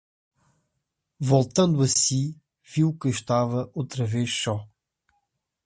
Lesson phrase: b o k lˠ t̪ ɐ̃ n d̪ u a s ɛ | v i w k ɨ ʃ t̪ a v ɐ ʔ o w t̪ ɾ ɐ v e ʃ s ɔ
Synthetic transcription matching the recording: v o lˠ t̪ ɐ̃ n d̪ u ɐ s i | v i w k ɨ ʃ t̪ a v ɐ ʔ o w t̪ ɾ ɐ v e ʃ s ɔ